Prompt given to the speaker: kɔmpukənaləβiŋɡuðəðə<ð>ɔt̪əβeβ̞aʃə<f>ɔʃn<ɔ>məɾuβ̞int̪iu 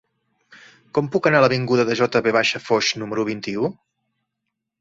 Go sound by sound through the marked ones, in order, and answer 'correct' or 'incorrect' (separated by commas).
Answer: incorrect, correct, incorrect